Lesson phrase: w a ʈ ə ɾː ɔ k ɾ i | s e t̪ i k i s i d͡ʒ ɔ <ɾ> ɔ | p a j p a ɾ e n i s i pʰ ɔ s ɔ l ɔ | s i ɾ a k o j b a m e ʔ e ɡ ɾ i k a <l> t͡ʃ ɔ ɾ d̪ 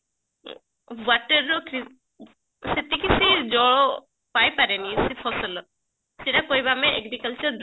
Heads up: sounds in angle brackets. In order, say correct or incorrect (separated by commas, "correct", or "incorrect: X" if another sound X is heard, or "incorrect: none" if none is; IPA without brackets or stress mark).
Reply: incorrect: ɭ, correct